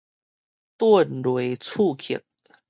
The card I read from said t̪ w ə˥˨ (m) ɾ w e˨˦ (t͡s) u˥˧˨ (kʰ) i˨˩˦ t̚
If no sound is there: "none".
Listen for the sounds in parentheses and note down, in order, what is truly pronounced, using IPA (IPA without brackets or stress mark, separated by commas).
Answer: n, t͡sʰ, kʰ